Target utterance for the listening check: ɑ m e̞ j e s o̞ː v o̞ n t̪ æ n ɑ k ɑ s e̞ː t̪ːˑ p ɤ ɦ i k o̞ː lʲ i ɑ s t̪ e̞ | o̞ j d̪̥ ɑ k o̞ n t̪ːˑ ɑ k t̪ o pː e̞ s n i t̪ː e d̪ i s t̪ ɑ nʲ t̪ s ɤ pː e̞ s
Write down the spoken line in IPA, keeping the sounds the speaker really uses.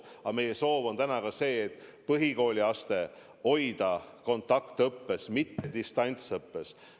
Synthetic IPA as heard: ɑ m e̞ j e s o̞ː v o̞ n t̪ æ n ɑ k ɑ s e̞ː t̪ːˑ p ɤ ɦ i k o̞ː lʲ i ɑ s t̪ e̞ | o̞ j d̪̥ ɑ k o̞ n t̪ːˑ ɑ k t̪ ɤ pː e̞ s m i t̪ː e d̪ i s t̪ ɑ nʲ t̪ s ɤ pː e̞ s